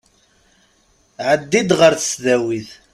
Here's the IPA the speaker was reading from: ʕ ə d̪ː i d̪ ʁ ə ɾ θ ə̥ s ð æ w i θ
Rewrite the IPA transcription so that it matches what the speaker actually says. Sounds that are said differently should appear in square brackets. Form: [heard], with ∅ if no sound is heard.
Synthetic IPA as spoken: ʕ ə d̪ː i d̪ ʁ ə ɾ θ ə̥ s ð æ w i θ